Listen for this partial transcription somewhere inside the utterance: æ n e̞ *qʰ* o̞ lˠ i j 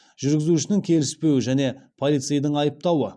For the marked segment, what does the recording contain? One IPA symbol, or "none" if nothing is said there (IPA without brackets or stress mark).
pʰ